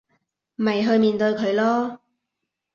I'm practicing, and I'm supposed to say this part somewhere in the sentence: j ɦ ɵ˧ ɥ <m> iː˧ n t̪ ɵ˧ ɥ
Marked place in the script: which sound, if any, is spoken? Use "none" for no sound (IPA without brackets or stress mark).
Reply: m